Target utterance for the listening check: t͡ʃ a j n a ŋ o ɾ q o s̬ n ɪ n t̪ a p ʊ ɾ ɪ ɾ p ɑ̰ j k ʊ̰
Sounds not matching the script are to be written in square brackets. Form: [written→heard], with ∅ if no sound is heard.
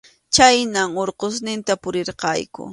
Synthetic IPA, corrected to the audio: t͡ʃ a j n a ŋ o ɾ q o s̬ n ɪ n t̪ a p ʊ ɾ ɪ ɾ [p→q] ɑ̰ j k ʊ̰